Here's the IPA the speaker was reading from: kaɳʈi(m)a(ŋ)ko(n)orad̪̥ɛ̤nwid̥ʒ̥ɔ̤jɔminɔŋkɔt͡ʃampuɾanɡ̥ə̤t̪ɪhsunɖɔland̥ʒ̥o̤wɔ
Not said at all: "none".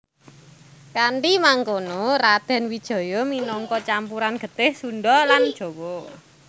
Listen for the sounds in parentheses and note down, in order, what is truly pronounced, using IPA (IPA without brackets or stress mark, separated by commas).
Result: m, ŋ, n